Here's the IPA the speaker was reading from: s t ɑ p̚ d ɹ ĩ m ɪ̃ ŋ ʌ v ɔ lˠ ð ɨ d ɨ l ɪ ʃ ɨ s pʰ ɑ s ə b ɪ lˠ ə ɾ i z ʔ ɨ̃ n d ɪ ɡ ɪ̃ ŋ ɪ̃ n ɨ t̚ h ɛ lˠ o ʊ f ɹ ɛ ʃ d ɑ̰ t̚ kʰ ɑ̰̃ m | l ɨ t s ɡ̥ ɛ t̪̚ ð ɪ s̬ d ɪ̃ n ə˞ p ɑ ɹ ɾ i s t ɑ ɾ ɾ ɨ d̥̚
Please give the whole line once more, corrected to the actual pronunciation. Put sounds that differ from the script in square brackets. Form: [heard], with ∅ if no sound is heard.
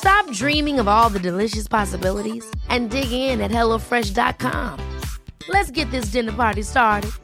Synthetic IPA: s t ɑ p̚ d ɹ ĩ m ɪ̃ ŋ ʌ v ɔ lˠ ð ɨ d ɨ l ɪ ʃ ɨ s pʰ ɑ s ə b ɪ lˠ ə ɾ i z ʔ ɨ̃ n d ɪ ɡ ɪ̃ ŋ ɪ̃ n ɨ t̚ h ɛ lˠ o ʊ f ɹ ɛ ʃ d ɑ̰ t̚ kʰ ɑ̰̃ m | l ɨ t s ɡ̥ ɛ t̪̚ ð ɪ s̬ d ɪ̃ n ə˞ p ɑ ɹ ɾ i s t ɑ [ɹ] ɾ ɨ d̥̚